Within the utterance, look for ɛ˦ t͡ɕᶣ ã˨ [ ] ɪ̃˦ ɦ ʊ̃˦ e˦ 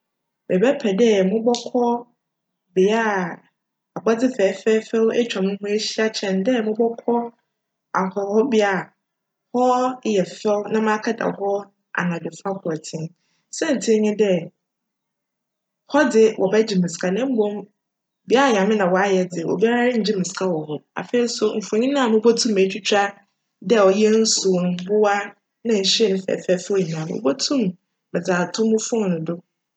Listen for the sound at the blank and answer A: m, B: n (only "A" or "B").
A